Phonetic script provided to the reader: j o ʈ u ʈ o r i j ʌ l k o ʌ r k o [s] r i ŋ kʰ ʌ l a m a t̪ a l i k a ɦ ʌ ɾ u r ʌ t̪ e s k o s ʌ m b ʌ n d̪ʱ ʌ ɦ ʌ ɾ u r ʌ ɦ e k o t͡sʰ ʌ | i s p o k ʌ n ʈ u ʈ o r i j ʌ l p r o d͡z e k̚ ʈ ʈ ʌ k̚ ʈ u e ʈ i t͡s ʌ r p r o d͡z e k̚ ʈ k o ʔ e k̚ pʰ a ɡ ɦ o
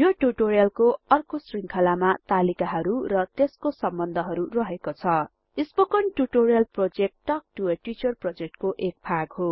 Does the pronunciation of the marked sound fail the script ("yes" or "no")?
no